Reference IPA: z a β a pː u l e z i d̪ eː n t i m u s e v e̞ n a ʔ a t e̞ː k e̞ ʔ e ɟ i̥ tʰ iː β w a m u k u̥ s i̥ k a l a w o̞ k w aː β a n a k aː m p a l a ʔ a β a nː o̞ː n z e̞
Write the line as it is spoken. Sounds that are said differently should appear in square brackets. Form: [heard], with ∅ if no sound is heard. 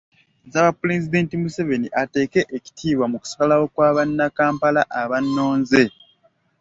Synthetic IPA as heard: z a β a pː u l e z i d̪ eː n t i m u s e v e̞ n [i] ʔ a t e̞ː k e̞ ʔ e [c] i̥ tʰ iː β w a m u k u̥ s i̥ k a l a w o̞ k w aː β a [nː] a k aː m p a l a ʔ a β a nː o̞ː n z e̞